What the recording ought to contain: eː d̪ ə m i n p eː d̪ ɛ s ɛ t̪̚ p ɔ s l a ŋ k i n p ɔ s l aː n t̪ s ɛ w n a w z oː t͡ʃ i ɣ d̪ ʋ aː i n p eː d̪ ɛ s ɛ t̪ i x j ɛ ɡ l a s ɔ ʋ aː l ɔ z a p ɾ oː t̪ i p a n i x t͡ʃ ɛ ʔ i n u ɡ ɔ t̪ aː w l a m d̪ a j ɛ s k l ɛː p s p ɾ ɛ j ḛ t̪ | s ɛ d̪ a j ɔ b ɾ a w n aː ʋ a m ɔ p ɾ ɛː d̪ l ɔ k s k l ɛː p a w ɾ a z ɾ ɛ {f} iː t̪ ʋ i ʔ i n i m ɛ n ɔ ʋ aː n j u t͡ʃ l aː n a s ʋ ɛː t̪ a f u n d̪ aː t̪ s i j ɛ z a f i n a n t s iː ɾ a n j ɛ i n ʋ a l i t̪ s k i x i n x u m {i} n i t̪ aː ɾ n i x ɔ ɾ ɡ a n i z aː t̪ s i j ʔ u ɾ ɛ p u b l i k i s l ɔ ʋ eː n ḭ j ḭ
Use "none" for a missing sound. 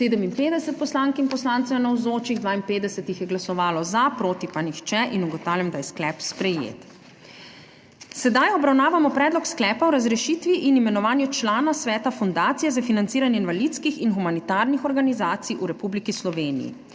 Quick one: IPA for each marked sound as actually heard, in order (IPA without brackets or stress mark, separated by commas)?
ʃ, a